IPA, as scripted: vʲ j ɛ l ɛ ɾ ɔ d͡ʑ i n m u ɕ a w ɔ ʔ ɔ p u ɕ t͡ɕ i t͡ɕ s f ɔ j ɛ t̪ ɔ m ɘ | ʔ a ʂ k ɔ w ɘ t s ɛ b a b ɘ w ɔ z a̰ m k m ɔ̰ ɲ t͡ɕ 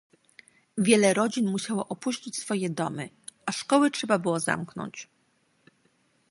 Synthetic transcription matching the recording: vʲ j ɛ l ɛ ɾ ɔ d͡ʑ i n m u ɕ a w ɔ ʔ ɔ p u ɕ t͡ɕ i t͡ɕ s f ɔ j ɛ d̪ ɔ m ɘ | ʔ a ʂ k ɔ w ɘ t ʂ ɛ b a b ɘ w ɔ z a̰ m k n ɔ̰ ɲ t͡ɕ

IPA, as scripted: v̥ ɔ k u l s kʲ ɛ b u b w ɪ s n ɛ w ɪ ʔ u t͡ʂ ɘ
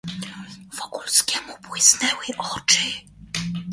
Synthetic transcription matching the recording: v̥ ɔ k u l s kʲ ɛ m u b w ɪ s n ɛ w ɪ ʔ ɔ t͡ʂ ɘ

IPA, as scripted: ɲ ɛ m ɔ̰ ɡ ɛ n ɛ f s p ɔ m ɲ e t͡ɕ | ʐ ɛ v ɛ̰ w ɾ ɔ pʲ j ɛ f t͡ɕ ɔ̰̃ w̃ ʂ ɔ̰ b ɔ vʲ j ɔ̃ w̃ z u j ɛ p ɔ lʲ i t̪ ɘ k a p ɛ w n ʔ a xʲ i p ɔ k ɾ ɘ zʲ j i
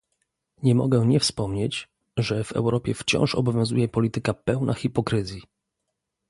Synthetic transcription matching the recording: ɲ ɛ m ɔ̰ ɡ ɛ ɲ ɛ f s p ɔ m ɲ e t͡ɕ | ʐ ɛ v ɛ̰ w ɾ ɔ pʲ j ɛ f t͡ɕ ɔ̰̃ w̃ ʂ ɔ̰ b ɔ vʲ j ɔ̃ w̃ z u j ɛ p ɔ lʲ i t̪ ɘ k a p ɛ w n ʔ a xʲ i p ɔ k ɾ ɘ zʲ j i

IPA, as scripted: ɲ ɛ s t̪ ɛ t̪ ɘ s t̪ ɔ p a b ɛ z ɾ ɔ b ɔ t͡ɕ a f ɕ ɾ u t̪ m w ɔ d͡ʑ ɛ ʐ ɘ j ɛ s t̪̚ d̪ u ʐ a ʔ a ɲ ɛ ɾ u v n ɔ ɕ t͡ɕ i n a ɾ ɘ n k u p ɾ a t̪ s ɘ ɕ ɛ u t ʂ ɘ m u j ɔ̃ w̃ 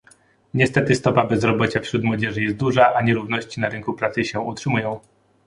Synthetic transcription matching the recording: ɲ ɛ s t̪ ɛ t̪ ɘ s t̪ ɔ p a b ɛ z ɾ ɔ b ɔ t͡ɕ a f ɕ ɾ u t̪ m w ɔ d͡ʑ ɛ ʐ ɘ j ɛ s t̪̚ d̪ u ʐ a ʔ a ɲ ɛ ɾ u v n ɔ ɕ t͡ɕ i n a ɾ ɘ ŋ k u p ɾ a t̪ s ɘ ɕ ɛ u t ʂ ɘ m u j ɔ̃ w̃

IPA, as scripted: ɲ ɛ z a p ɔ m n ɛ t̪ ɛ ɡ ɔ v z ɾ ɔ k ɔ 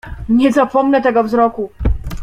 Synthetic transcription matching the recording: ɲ ɛ z a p ɔ m n ɛ t̪ ɛ ɡ ɔ v z ɾ ɔ k u

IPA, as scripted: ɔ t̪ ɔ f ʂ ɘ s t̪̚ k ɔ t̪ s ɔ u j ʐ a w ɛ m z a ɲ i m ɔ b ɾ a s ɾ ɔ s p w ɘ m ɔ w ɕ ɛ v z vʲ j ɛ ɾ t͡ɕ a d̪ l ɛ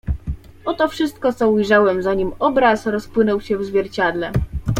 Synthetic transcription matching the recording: ɔ t̪ ɔ f ʂ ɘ s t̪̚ k ɔ t̪ s ɔ u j ʐ a w ɛ m z a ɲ i m ɔ b ɾ a s ɾ ɔ s p w ɘ n ɔ w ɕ ɛ v z vʲ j ɛ ɾ t͡ɕ a d̪ l ɛ

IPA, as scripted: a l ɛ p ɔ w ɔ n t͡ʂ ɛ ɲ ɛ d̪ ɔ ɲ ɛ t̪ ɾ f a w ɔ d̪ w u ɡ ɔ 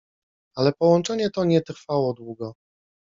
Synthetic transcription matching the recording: a l ɛ p ɔ w ɔ n t͡ʂ ɛ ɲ ɛ t̪ ɔ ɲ ɛ t̪ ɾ f a w ɔ d̪ w u ɡ ɔ

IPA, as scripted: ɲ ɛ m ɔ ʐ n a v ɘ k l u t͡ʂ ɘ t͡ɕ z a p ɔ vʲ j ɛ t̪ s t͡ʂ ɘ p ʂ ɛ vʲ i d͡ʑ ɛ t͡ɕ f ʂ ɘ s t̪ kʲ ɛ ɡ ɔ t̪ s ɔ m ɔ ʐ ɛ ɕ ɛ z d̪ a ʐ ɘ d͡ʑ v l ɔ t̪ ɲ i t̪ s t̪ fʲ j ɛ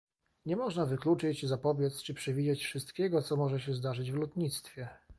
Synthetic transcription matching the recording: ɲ ɛ m ɔ ʐ n a v ɘ k l u t͡ʂ ɘ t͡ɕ z a p ɔ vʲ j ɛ t̪ s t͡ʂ ɘ p ʂ ɛ vʲ i d͡ʑ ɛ t͡ɕ f ʂ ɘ s t̪ kʲ ɛ ɡ ɔ t̪ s ɔ m ɔ ʐ ɛ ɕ ɛ z d̪ a ʐ ɘ d͡ʑ v l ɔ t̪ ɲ i t̪ s t̪ fʲ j ɛ

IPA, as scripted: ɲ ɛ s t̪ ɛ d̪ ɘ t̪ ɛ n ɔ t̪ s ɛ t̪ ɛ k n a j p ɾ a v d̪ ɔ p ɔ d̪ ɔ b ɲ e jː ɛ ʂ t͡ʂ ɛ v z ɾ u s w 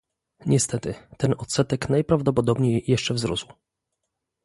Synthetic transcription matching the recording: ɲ ɛ s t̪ ɛ t̪ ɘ t̪ ɛ n ɔ t̪ s ɛ t̪ ɛ k n a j p ɾ a v d̪ ɔ p ɔ d̪ ɔ b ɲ e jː ɛ ʂ t͡ʂ ɛ v z ɾ u s w

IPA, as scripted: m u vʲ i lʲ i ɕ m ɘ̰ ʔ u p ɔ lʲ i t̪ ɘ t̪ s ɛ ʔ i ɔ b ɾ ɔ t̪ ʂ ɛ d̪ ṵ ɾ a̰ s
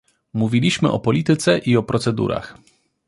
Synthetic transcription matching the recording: m u vʲ i lʲ i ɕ m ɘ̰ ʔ ɔ p ɔ lʲ i t̪ ɘ t̪ s ɛ ʔ i ɔ p ɾ ɔ t̪ s ɛ d̪ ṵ ɾ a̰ x

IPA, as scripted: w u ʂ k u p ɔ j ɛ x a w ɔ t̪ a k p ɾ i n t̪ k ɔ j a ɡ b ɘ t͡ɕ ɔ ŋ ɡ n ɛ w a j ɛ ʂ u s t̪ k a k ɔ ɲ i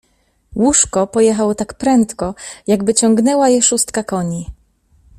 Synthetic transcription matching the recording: w u ʂ k ɔ p ɔ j ɛ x a w ɔ t̪ a k p ɾ ɛ n t̪ k ɔ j a ɡ b ɘ t͡ɕ ɔ ŋ ɡ n ɛ w a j ɛ ʂ u s t̪ k a k ɔ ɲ i

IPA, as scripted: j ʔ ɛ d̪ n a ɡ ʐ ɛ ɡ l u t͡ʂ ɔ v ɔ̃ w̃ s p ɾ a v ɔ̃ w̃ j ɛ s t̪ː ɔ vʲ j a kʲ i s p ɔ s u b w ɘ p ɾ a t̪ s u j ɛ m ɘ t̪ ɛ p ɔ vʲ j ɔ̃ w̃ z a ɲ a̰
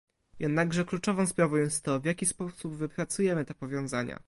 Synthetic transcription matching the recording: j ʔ ɛ d̪ n a ɡ ʐ ɛ k l u t͡ʂ ɔ v ɔ̃ w̃ s p ɾ a v ɔ̃ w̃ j ɛ s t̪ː ɔ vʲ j a kʲ i s p ɔ s u b v ɘ p ɾ a t̪ s u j ɛ m ɘ t̪ ɛ p ɔ vʲ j ɔ̃ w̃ z a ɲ a̰

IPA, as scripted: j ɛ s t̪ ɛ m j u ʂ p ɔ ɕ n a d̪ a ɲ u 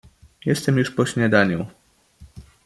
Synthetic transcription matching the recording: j ɛ s t̪ ɛ m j u ʂ p ɔ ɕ ɲ a d̪ a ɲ u

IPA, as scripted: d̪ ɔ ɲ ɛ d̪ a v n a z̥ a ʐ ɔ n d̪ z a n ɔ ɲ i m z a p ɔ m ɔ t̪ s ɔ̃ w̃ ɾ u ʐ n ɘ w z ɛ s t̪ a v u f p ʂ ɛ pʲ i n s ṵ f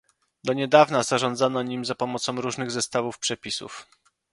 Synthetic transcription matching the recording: d̪ ɔ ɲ ɛ d̪ a v n a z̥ a ʐ ɔ n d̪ z a n ɔ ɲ i m z a p ɔ m ɔ t̪ s ɔ̃ w̃ ɾ u ʐ n ɘ ɣ z ɛ s t̪ a v u f p ʂ ɛ pʲ i s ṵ f

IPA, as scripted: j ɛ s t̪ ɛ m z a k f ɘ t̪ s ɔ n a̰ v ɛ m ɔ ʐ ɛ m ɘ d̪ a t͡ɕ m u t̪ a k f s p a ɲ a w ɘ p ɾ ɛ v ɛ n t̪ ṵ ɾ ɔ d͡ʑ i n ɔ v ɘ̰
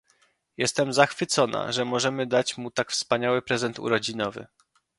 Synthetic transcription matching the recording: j ɛ s t̪ ɛ m z a x f ɘ t̪ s ɔ n a̰ ʐ ɛ m ɔ ʐ ɛ m ɘ d̪ a t͡ɕ m u t̪ a k f s p a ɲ a w ɘ p ɾ ɛ z ɛ n t̪ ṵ ɾ ɔ d͡ʑ i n ɔ v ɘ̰

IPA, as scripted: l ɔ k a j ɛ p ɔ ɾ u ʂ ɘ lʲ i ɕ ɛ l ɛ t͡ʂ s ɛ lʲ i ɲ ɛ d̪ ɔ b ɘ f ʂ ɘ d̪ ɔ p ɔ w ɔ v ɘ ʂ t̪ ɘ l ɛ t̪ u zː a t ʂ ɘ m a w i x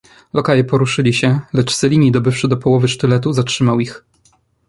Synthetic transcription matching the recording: l ɔ k a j ɛ p ɔ ɾ u ʂ ɘ lʲ i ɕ ɛ l ɛ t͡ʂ s ɛ lʲ i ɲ i d̪ ɔ b ɘ f ʂ ɘ d̪ ɔ p ɔ w ɔ v ɘ ʂ t̪ ɘ l ɛ t̪ u z a t ʂ ɘ m a w i x

